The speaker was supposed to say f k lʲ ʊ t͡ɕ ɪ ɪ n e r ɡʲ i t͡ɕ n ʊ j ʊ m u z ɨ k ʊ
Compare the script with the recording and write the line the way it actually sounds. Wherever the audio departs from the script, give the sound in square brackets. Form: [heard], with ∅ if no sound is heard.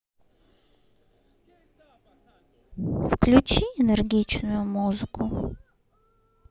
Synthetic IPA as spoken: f k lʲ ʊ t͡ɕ [i] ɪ n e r ɡʲ i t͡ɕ n ʊ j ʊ m u z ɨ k ʊ